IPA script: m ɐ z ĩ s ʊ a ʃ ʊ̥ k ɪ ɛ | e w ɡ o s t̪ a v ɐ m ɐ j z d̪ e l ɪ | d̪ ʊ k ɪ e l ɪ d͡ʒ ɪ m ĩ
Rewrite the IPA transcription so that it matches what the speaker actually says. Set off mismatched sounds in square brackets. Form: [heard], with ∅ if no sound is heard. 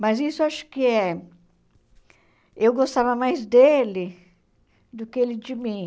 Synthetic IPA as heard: m ɐ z [i] s ʊ a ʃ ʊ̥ k ɪ ɛ | e w ɡ o s t̪ a v ɐ m [a] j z d̪ e l ɪ | d̪ ʊ k ɪ e l ɪ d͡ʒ ɪ m ĩ